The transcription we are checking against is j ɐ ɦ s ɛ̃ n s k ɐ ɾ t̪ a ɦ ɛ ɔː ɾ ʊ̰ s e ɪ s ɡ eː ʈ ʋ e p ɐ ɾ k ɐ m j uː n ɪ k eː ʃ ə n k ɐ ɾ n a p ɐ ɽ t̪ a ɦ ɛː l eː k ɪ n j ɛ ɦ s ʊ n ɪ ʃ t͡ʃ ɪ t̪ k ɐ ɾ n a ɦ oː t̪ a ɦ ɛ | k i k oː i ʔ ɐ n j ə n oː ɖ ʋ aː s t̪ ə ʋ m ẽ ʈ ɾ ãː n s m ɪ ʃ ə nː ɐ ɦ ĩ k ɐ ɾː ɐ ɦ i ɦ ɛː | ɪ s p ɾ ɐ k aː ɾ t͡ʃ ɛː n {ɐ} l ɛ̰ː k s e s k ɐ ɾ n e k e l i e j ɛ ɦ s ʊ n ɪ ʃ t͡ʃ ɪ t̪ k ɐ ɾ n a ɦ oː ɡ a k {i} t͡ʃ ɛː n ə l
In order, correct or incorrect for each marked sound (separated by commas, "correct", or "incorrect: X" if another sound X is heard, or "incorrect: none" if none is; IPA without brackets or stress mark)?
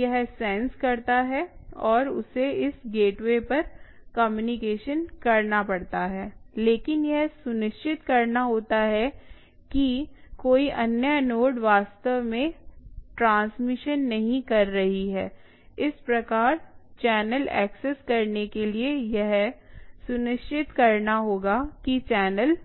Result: incorrect: ə, correct